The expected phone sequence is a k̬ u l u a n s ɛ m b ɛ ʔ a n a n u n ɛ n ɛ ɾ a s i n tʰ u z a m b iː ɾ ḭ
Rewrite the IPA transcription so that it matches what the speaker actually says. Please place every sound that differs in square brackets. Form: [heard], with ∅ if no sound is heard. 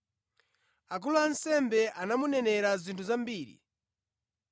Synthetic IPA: a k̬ u l u a n s ɛ m b ɛ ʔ a n a [m] u n ɛ n ɛ ɾ a [z] i n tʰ u z a m b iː ɾ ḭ